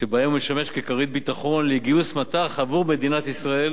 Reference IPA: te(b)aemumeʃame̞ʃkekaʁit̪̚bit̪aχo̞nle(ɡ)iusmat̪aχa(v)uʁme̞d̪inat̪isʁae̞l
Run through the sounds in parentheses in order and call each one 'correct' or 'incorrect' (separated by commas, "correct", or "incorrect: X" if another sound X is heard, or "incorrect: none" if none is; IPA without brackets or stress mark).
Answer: correct, correct, correct